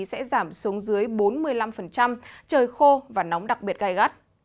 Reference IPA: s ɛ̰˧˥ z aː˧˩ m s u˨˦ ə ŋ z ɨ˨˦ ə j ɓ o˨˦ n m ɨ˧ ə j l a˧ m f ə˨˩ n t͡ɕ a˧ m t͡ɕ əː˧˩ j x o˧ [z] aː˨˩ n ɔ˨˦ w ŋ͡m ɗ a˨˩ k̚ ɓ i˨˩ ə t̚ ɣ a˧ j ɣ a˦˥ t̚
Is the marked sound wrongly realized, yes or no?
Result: yes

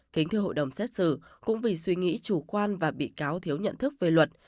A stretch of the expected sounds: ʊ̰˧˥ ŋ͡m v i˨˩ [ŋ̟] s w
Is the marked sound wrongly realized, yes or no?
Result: yes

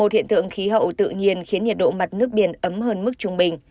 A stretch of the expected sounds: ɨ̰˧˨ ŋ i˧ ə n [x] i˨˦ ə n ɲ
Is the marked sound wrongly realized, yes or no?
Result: no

